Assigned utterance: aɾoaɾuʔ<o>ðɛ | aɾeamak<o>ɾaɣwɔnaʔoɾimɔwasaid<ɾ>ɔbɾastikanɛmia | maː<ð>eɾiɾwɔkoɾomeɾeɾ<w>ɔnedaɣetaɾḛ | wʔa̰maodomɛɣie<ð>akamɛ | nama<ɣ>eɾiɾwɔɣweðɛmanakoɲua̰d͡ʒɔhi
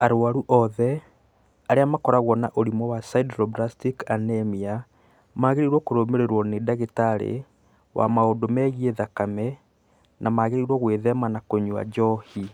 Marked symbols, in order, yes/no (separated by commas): no, no, yes, no, yes, yes, yes